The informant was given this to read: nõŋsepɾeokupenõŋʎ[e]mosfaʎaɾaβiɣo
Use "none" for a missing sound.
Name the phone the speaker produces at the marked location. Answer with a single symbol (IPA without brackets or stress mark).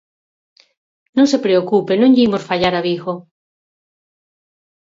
i